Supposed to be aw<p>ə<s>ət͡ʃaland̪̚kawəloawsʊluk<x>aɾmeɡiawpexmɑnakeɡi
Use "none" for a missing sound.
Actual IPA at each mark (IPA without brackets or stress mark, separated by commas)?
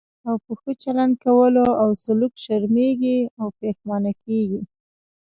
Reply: p, x, ʃ